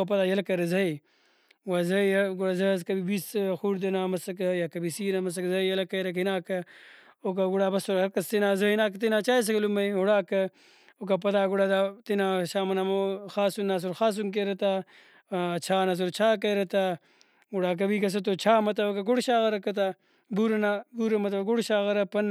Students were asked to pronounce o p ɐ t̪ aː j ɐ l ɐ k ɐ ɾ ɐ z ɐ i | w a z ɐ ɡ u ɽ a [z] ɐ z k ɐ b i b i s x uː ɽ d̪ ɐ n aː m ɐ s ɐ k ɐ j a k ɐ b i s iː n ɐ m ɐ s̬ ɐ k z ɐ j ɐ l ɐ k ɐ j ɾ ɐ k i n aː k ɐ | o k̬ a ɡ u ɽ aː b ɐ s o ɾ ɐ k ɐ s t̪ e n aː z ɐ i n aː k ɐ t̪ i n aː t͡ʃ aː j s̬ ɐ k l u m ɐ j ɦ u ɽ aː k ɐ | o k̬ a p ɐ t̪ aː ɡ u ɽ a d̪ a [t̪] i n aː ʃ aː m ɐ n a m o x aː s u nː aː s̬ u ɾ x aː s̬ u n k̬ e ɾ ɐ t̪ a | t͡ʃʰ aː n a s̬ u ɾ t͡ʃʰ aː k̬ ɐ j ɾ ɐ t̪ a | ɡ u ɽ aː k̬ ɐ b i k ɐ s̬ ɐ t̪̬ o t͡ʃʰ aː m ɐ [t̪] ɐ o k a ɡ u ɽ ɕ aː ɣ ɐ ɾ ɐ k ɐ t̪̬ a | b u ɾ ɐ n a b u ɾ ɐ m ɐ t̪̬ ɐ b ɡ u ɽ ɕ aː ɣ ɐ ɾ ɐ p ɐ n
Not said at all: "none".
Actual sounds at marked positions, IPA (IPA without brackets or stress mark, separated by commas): z, t̪, t̪